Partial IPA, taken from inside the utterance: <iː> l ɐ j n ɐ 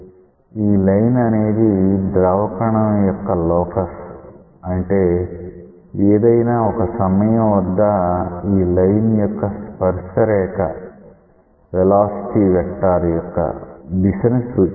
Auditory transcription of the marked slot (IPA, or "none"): iː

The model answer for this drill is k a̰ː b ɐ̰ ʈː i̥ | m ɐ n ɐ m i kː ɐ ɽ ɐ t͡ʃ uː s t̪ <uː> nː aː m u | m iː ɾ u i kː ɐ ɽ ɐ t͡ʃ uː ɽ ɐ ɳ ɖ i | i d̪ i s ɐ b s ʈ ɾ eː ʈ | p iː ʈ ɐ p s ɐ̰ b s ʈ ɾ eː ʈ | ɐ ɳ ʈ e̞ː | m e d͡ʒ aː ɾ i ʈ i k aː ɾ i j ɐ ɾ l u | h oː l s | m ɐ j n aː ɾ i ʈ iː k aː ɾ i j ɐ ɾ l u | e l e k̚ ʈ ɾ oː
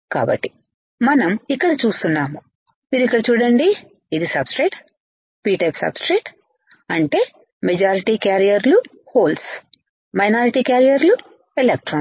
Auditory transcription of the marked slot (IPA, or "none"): u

